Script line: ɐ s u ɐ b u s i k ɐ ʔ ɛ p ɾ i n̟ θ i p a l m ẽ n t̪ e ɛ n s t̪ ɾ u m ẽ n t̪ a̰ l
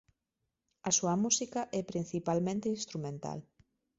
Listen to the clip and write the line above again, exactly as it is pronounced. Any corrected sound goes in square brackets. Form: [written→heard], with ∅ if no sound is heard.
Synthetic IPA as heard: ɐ s u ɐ [b→m] u s i k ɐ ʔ ɛ p ɾ i n̟ θ i p a l m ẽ n t̪ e [ɛ→i] n s t̪ ɾ u m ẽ n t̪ a̰ l